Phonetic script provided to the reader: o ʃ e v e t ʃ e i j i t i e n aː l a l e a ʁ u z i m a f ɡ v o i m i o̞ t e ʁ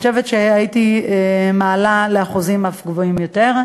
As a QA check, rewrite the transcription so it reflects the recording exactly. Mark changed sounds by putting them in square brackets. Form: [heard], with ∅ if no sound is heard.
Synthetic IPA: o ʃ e v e t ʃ e [a] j i t i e [m] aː l a l e a [χ] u z i m a f ɡ v o i m [j] o̞ t e ʁ